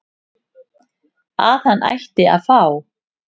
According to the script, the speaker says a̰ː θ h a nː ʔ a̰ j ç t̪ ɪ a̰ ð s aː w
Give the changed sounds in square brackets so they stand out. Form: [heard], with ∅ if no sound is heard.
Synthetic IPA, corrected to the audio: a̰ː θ h a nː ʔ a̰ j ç t̪ ɪ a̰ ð [f] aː w